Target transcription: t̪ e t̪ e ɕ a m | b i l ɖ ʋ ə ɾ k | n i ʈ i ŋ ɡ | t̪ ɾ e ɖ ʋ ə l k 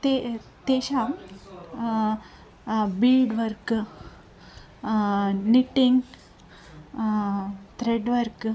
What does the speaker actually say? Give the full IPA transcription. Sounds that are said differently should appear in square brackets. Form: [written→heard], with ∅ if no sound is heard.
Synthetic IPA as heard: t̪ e t̪ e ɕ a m | b i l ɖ ʋ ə ɾ k | n i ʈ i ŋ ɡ | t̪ ɾ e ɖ ʋ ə [l→ɾ] k